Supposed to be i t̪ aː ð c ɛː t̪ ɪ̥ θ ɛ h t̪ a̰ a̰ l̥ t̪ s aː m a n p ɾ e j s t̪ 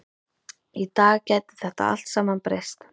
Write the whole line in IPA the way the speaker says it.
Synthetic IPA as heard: i t̪ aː ɣ c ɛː t̪ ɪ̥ θ ɛ h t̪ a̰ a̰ l̥ t̪ s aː m a n p ɾ e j s t̪